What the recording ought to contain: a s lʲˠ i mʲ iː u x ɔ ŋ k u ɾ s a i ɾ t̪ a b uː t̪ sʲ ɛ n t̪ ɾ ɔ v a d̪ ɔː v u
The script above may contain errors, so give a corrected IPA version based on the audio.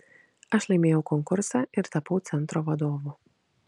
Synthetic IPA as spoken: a ʃ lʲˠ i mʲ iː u k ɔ ŋ k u ɾ s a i ɾ t̪ a p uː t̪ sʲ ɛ n t̪ ɾ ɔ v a d̪ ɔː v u